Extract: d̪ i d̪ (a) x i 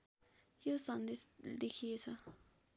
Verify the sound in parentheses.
incorrect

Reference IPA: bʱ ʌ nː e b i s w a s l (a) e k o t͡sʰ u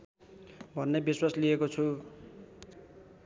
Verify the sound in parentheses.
incorrect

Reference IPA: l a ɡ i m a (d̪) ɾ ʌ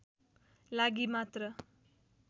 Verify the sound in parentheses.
incorrect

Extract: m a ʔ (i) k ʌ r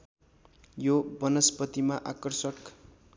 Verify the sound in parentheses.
incorrect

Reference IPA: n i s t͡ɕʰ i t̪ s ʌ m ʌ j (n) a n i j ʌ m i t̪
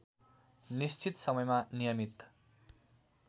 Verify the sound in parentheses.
incorrect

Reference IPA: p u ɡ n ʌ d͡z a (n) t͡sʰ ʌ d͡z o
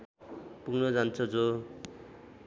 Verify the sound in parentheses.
correct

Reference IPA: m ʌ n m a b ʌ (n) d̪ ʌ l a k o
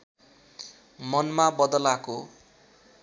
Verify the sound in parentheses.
incorrect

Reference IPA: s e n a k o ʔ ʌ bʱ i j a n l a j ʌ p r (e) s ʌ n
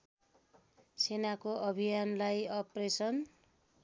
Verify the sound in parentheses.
correct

